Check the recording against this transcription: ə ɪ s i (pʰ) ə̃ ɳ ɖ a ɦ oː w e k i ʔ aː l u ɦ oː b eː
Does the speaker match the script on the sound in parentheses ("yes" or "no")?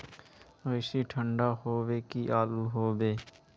no